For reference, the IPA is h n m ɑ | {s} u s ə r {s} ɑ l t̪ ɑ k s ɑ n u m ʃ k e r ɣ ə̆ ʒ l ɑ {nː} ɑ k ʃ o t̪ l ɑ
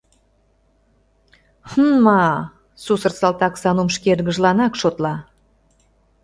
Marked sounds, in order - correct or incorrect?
correct, correct, incorrect

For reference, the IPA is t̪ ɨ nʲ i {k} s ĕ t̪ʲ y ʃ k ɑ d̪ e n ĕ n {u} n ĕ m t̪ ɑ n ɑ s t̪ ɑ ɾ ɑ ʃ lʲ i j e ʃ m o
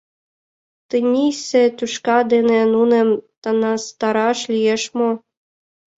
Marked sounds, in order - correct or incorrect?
incorrect, correct

